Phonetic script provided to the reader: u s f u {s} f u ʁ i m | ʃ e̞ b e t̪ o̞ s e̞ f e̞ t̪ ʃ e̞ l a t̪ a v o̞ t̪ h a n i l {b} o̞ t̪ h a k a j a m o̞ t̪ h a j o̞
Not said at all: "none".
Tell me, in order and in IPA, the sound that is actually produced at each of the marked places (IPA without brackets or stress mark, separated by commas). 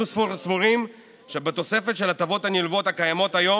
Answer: s, v